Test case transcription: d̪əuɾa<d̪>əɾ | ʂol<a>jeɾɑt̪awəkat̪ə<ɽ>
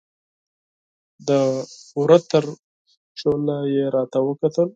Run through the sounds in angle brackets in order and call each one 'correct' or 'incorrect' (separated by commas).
incorrect, correct, incorrect